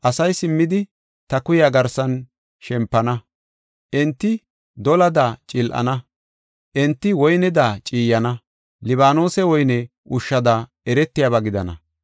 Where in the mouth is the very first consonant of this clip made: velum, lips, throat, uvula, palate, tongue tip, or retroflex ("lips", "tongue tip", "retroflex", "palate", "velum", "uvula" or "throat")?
throat